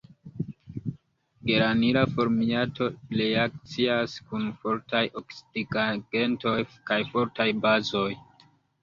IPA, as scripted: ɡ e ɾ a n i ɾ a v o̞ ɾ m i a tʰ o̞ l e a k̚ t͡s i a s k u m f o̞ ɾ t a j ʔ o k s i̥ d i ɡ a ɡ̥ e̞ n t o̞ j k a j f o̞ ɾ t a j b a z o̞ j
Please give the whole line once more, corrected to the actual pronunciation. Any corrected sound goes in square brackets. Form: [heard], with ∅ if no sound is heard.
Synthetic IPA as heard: ɡ e ɾ a n i ɾ a [f] o̞ ɾ m i a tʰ o̞ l e a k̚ t͡s i a s k u [n] f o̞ ɾ t a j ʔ o k s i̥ d i ɡ a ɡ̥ e̞ n t o̞ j k a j f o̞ ɾ t a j b a z o̞ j